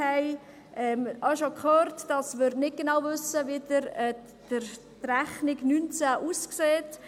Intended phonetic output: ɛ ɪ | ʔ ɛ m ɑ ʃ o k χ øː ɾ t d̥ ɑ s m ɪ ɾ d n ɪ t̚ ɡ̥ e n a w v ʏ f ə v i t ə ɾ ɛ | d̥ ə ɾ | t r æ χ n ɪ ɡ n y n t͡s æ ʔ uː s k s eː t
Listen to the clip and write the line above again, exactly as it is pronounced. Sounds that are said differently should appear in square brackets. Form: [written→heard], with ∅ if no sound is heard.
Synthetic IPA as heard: ɛ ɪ | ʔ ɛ m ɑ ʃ o k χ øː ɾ t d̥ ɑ s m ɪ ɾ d n ɪ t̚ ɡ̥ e n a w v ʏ [f→s] ə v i [t→d] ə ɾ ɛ | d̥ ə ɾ | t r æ χ n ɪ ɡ n y n t͡s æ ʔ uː s k s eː t

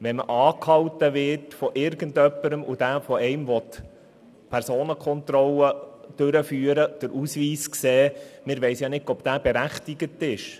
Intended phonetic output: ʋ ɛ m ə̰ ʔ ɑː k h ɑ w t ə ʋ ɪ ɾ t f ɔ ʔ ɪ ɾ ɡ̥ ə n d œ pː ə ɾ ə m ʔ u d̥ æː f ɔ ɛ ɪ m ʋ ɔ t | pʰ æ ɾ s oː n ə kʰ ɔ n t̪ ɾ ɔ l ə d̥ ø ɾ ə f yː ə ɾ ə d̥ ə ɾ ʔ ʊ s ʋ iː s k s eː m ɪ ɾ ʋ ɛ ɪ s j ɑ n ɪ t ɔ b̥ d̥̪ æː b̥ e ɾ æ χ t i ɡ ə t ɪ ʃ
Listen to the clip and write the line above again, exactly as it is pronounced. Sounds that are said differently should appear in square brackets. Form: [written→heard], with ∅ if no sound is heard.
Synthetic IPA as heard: ʋ ɛ m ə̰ ʔ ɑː k h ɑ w t ə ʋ ɪ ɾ t f ɔ ʔ ɪ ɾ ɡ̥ ə n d œ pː ə ɾ ə m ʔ u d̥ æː f ɔ ɛ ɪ m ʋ ɔ t | pʰ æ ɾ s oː n ə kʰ ɔ n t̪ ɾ ɔ l ə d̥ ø ɾ ə f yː ə ɾ ə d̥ ə ɾ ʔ [ʊ→u] s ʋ iː s k s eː m ɪ ɾ ʋ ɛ ɪ s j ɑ n ɪ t ɔ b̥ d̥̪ æː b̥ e ɾ æ χ t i ɡ ə t ɪ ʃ

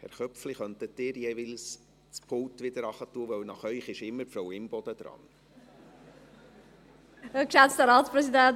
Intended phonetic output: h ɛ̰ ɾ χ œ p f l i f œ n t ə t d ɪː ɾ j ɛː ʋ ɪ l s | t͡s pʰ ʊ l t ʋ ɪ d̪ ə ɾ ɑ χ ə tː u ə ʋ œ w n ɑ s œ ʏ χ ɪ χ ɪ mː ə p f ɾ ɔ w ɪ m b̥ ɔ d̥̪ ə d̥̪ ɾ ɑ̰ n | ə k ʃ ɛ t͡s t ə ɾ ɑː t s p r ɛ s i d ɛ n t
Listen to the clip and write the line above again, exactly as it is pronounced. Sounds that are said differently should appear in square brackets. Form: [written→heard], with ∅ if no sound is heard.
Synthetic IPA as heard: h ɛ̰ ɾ χ œ p f l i [f→χ] œ n t ə t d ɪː ɾ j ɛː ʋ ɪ l s | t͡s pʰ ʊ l t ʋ ɪ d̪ ə ɾ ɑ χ ə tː u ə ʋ œ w n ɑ [s→χ] œ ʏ χ ɪ [χ→ʃ] ɪ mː ə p f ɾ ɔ w ɪ m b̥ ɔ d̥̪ ə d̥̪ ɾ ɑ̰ n | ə k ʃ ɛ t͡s t ə ɾ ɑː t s p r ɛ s i d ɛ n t

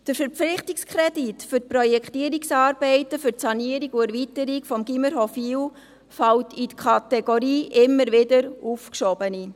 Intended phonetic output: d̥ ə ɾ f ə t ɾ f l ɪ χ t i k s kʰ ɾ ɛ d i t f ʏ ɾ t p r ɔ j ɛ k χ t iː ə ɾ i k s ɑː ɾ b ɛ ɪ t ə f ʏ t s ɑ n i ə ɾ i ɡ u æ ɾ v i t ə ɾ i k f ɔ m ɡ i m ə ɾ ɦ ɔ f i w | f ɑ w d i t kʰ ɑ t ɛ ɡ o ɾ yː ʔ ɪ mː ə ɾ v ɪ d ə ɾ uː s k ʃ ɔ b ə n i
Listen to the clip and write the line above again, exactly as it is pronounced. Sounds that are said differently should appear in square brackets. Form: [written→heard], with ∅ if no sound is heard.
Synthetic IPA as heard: d̥ ə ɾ f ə [t→∅] ɾ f l ɪ χ t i k s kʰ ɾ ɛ d i t f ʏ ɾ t p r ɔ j ɛ k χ t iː ə ɾ i k s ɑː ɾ b ɛ ɪ t ə f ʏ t s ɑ n i ə ɾ i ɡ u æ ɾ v i t ə ɾ i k f ɔ m ɡ i m ə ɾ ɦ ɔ f i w | f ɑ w [d→t] i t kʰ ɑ t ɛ ɡ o ɾ [yː→iː] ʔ ɪ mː ə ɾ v ɪ d ə ɾ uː [s→f] k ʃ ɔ b ə n i

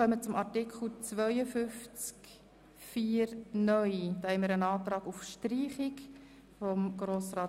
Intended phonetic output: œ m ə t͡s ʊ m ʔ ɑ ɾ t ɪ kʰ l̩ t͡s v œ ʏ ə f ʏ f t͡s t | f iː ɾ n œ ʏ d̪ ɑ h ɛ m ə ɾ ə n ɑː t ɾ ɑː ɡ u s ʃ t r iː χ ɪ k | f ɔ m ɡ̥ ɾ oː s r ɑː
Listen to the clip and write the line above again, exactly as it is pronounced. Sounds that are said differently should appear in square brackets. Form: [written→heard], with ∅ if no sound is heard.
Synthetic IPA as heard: œ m ə t͡s ʊ m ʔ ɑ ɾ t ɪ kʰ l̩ t͡s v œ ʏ ə f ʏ f t͡s [t→k] | f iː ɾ n œ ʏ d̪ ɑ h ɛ m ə ɾ ə n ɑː t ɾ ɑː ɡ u [s→f] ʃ t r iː χ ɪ k | f ɔ m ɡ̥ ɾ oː s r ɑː

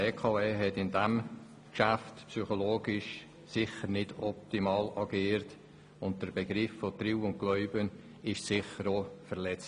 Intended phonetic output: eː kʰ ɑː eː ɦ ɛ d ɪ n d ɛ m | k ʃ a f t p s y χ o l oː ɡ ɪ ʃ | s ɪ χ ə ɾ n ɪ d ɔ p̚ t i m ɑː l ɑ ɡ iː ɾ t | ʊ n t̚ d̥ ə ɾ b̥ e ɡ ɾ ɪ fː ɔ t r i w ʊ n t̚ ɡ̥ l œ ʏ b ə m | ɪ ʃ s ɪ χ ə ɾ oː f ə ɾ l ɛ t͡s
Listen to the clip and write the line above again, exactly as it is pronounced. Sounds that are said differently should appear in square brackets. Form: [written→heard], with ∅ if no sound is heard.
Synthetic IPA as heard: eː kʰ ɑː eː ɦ ɛ [d→t] ɪ n d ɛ m | k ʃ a f t p s y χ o l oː ɡ ɪ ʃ | s ɪ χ ə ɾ n ɪ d ɔ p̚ t i m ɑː l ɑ ɡ iː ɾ t | ʊ n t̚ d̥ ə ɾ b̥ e ɡ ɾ ɪ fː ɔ t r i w ʊ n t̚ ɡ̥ l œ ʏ b ə [m→n] | ɪ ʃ s ɪ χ ə ɾ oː f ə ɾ l ɛ t͡s

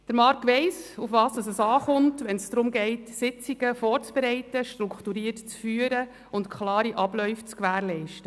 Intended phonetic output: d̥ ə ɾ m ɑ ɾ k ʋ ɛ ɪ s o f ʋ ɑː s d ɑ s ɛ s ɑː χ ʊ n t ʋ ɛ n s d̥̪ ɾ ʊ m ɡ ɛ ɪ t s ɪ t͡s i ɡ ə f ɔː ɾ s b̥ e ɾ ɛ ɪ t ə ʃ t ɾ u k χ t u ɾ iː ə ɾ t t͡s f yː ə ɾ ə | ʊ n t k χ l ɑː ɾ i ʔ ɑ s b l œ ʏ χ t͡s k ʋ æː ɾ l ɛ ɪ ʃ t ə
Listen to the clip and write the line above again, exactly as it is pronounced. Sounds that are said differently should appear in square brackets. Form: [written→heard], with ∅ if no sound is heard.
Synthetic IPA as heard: d̥ ə ɾ m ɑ ɾ k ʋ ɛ ɪ s [o→u] f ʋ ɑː s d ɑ s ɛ s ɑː χ ʊ n t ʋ ɛ n s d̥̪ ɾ ʊ m ɡ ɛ ɪ t s ɪ t͡s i ɡ ə f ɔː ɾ [s→t͡s] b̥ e ɾ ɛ ɪ t ə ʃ t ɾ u k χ t u ɾ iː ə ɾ t t͡s f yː ə ɾ ə | ʊ n t k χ l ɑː ɾ i ʔ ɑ [s→∅] b l œ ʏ [χ→f] t͡s k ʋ æː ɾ l ɛ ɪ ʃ t ə

